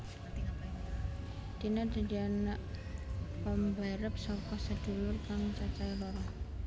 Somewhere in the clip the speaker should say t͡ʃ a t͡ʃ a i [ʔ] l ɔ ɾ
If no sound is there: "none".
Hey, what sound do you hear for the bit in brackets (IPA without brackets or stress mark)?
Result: none